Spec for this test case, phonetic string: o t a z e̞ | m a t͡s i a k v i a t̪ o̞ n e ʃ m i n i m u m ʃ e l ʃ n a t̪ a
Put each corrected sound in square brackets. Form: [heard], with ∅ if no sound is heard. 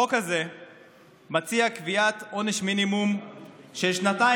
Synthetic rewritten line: o [k] a z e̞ | m a t͡s i a k v i a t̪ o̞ n e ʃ m i n i m u m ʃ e l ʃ n a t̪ a